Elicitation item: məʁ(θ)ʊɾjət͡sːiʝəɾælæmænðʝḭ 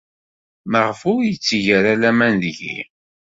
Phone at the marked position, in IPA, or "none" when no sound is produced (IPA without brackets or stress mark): f